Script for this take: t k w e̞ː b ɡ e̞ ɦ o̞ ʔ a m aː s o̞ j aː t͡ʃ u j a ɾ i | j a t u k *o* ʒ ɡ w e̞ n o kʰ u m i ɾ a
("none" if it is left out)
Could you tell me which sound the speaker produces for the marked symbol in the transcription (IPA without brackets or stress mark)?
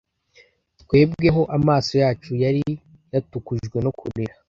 u